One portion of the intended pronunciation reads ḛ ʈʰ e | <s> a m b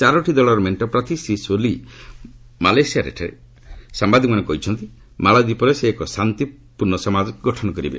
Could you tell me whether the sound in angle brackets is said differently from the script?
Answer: no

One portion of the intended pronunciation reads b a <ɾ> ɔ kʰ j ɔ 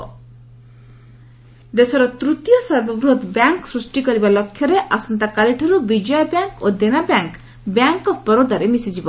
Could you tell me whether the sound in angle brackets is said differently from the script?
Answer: yes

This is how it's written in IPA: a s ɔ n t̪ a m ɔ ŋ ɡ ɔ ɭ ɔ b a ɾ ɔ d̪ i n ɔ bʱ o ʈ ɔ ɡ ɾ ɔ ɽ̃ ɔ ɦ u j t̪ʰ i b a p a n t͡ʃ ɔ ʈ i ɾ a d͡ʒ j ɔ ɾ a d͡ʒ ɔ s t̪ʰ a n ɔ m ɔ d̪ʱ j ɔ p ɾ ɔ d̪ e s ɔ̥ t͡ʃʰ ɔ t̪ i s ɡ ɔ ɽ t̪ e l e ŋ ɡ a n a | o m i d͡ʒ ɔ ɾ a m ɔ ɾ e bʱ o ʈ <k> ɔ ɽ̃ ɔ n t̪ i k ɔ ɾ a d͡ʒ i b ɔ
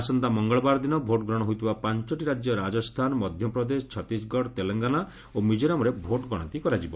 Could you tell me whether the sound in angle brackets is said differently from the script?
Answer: yes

